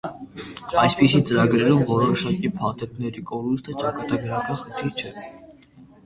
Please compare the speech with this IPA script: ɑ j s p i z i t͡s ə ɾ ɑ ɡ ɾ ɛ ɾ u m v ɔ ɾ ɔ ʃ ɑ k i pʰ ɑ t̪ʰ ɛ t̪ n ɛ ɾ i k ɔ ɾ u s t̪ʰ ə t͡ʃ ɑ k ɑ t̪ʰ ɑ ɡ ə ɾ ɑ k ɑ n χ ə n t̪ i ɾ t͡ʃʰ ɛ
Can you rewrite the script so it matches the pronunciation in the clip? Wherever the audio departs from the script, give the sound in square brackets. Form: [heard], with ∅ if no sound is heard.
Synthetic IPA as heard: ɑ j s p i [s] i t͡s ə ɾ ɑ ɡ ɾ ɛ ɾ u m v ɔ ɾ ɔ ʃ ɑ k i pʰ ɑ t̪ʰ ɛ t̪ n ɛ ɾ i k ɔ ɾ u s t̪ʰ ə t͡ʃ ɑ k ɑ [t̪] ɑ ɡ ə ɾ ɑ k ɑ n χ ə n [t̪ʰ] i ɾ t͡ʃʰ ɛ